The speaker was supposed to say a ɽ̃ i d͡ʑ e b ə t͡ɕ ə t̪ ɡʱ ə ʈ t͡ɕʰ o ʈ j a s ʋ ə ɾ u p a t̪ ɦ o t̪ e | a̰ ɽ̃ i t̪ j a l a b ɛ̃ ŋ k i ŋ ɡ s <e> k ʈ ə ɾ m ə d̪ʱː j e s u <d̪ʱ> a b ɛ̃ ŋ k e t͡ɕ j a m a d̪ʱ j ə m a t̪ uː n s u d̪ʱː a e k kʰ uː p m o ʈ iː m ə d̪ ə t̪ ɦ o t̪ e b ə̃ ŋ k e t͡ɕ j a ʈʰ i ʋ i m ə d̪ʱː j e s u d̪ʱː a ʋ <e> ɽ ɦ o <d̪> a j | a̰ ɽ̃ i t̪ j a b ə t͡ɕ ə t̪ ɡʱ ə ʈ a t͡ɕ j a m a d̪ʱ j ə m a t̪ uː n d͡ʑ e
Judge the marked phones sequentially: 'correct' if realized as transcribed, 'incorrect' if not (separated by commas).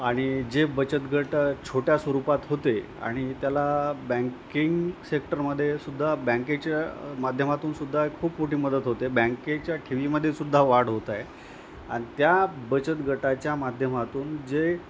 correct, incorrect, incorrect, incorrect